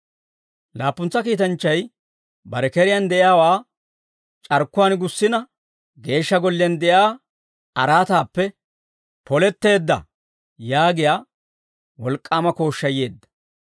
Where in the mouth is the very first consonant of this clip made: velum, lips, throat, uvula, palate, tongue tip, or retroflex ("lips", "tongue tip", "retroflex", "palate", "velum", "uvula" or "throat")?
tongue tip